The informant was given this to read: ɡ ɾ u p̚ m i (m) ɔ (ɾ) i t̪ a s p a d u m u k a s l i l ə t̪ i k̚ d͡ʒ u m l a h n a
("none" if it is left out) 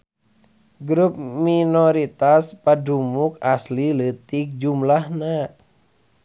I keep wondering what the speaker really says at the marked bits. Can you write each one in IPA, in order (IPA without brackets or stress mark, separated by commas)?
n, ɾ